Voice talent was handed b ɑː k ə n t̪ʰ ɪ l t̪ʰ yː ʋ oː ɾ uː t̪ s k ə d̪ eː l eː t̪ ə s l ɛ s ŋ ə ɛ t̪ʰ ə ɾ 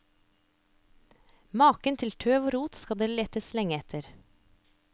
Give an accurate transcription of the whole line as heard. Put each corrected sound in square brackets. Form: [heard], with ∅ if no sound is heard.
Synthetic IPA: [m] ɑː k ə n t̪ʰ ɪ l t̪ʰ [øː] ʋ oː ɾ uː t̪ s k [ɑ] d̪ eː l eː t̪ ə s l ɛ [∅] ŋ ə ɛ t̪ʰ ə ɾ